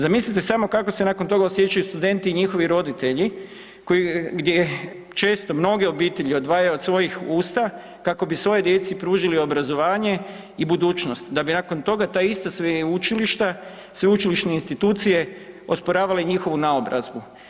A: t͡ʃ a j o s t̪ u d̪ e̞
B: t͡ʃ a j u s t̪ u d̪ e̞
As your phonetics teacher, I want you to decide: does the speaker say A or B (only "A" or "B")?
B